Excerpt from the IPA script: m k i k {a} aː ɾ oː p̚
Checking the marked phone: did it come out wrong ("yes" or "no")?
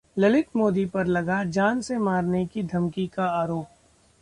no